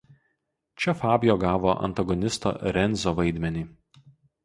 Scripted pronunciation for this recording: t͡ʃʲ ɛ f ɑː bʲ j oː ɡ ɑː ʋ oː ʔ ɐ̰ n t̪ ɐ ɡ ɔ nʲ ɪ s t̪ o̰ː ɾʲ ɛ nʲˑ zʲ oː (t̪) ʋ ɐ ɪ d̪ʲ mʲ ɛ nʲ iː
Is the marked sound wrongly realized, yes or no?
yes